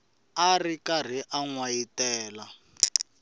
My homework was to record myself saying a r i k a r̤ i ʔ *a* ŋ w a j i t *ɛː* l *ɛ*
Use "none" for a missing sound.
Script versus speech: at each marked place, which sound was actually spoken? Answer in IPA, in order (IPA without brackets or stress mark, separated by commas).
a, ɛː, a